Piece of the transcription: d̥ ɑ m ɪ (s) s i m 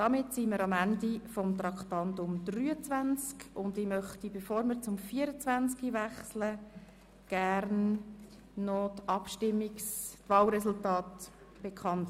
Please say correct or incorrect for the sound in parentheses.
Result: incorrect: t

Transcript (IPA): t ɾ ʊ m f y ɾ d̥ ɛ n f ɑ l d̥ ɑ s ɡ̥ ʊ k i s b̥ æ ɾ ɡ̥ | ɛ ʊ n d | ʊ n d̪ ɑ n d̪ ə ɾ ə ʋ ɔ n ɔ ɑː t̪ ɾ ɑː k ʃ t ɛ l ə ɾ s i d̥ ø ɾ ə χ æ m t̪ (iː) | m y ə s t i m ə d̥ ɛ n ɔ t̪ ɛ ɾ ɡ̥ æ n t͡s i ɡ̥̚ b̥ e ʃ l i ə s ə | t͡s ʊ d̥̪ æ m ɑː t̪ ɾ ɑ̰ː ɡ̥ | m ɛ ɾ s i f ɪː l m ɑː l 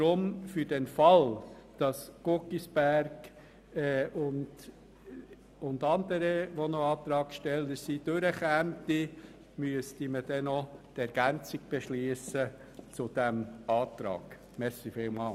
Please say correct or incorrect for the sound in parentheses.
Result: incorrect: i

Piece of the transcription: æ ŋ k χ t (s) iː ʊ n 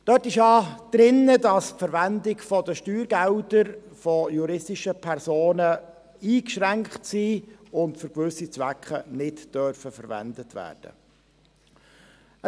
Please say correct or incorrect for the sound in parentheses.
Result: correct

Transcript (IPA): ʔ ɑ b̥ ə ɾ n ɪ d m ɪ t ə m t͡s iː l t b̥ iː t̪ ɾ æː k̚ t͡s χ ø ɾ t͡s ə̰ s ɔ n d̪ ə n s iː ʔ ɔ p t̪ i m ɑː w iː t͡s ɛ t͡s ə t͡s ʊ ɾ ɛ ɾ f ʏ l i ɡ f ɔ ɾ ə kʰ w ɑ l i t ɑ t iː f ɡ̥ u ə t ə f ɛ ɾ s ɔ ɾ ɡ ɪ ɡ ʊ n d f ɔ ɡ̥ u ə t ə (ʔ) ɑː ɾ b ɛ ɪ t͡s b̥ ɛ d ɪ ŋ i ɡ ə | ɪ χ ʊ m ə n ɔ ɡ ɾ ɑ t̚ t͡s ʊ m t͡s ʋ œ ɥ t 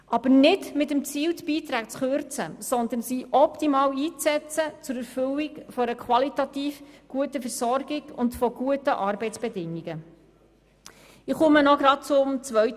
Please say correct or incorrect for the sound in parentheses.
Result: correct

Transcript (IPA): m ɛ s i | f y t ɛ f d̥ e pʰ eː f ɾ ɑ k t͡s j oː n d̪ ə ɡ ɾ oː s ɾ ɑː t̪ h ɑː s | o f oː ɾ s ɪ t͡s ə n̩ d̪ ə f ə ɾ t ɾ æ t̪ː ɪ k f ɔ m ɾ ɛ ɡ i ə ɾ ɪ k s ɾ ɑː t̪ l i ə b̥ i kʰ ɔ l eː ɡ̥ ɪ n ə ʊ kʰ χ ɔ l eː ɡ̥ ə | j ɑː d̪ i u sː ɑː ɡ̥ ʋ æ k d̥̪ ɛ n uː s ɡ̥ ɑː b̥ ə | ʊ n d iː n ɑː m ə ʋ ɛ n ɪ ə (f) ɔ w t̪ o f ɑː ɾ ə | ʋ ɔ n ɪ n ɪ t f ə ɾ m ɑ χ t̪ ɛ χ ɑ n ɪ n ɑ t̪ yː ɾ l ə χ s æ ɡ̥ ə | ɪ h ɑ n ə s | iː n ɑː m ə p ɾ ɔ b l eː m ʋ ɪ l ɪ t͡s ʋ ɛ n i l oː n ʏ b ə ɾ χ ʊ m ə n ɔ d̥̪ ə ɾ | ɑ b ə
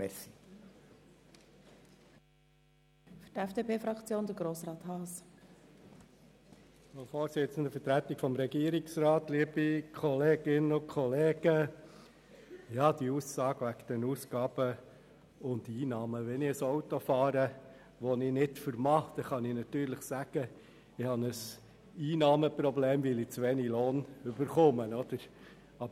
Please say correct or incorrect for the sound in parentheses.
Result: incorrect: s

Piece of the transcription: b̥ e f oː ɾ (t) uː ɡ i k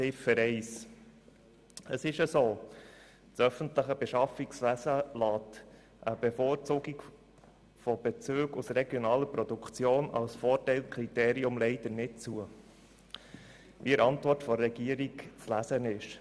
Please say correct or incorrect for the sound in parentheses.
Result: incorrect: t͡s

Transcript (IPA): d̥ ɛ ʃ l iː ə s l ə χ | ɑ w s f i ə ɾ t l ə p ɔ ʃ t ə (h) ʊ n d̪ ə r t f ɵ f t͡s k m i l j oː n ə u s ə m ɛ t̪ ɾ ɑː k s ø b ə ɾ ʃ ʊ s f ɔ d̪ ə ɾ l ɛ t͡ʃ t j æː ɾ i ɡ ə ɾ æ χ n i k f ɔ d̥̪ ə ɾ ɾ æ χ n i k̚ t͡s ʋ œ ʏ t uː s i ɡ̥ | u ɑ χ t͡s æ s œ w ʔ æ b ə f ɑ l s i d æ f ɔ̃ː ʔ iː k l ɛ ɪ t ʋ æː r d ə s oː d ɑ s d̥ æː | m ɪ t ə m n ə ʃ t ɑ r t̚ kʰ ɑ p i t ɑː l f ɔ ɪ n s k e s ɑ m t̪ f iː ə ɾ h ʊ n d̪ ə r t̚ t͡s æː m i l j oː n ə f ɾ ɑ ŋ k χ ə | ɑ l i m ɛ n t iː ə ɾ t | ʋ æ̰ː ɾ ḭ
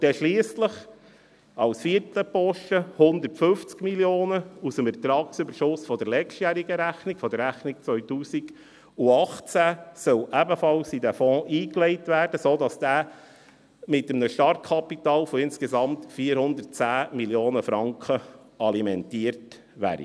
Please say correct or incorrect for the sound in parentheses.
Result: correct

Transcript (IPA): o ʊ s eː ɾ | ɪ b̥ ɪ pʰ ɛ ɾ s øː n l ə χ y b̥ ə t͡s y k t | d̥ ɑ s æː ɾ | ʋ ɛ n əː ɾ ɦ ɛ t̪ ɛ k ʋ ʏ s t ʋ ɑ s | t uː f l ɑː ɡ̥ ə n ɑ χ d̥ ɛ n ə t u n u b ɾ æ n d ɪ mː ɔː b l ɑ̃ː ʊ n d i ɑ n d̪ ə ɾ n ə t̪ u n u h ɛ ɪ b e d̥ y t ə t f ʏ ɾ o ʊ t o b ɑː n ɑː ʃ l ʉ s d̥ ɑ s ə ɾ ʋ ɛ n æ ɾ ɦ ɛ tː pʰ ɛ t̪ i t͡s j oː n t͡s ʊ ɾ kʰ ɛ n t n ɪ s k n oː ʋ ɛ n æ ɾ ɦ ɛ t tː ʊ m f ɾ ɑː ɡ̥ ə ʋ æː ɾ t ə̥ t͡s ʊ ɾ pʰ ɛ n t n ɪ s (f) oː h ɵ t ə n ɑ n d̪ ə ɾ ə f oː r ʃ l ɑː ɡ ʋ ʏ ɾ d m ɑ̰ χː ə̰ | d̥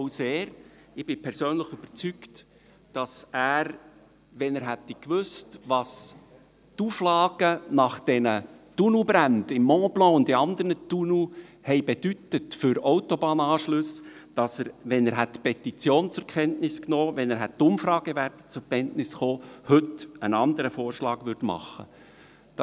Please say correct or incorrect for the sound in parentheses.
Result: incorrect: χ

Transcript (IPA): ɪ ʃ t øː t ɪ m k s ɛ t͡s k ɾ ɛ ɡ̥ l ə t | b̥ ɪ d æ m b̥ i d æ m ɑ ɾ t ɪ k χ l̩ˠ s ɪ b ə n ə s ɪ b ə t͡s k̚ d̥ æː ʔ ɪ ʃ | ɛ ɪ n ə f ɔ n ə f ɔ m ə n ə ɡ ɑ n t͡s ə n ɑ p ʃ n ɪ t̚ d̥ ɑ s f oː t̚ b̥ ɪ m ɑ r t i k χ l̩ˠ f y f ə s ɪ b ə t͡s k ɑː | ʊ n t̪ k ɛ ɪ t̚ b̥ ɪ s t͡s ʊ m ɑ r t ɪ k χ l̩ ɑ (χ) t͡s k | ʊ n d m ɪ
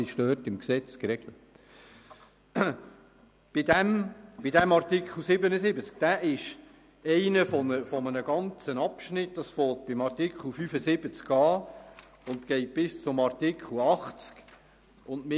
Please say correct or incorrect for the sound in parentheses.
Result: correct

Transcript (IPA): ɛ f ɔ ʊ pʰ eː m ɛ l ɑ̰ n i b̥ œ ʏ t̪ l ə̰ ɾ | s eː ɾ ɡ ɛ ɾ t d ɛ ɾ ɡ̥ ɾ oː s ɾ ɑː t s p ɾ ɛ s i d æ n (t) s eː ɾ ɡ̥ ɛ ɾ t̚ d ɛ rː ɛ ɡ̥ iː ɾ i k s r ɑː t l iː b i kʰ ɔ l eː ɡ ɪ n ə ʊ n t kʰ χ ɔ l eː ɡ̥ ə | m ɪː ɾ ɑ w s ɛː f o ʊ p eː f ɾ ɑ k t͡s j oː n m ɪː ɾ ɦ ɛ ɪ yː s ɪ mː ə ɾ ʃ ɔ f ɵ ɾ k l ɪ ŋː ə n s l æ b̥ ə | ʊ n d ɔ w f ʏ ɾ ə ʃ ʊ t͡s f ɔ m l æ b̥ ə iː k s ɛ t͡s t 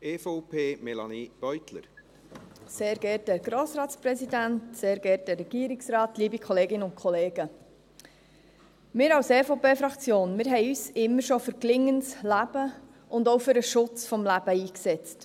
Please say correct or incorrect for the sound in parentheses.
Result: correct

